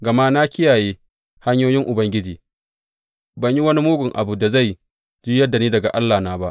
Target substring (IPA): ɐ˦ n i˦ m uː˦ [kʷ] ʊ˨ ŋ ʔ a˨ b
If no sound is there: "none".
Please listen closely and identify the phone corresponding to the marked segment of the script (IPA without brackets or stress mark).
ɡʷ